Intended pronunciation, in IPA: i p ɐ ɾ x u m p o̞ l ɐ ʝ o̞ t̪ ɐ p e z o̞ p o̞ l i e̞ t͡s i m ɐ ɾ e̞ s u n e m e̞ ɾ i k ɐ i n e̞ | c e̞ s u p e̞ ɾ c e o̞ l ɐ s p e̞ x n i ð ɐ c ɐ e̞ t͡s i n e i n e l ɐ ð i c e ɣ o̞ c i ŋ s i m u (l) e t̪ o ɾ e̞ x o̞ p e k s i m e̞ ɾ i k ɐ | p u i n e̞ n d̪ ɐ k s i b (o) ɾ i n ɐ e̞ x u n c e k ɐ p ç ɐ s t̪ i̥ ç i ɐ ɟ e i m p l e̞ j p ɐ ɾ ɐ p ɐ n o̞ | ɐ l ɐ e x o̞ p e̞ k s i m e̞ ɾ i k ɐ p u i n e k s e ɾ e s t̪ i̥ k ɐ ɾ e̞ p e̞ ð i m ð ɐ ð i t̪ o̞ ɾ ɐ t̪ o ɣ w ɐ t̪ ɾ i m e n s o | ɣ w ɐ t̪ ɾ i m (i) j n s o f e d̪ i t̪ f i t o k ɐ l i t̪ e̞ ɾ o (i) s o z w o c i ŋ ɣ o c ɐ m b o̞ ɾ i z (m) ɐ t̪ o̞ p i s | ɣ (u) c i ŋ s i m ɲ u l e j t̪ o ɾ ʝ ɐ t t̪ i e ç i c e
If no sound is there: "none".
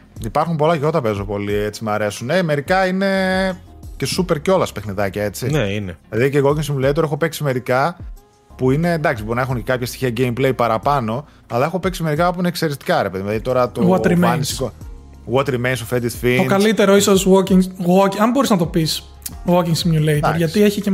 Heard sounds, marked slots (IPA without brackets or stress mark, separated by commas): l, o, e, i, n, o